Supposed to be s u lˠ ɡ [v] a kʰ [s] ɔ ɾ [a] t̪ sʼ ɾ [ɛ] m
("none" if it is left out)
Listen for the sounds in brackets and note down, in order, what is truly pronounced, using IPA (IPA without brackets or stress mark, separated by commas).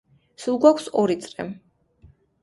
w, s, i, ɛ